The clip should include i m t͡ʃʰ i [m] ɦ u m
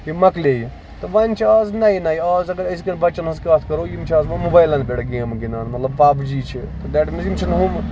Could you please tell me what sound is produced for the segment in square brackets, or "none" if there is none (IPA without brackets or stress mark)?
n